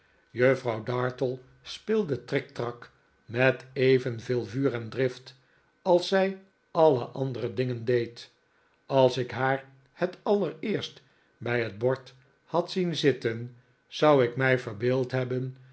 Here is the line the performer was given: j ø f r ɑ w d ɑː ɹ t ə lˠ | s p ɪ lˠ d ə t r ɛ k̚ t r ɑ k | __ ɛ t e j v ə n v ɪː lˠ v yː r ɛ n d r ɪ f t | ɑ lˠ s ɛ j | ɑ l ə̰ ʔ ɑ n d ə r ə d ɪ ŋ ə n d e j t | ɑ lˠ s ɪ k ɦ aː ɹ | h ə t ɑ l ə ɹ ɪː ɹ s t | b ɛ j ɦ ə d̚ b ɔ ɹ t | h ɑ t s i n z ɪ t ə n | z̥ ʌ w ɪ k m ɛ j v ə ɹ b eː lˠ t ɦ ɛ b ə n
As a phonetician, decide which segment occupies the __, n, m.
m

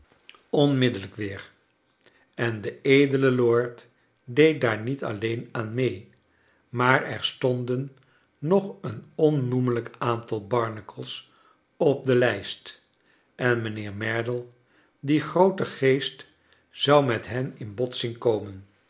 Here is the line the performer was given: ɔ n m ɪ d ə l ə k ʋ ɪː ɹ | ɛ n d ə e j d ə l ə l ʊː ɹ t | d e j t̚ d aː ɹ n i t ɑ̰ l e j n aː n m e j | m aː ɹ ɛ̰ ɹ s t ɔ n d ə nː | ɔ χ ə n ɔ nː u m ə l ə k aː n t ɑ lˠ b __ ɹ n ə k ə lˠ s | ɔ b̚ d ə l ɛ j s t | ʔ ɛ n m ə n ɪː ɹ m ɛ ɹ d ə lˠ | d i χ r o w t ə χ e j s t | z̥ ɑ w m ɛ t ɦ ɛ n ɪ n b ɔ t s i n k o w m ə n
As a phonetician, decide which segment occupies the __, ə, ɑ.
ɑ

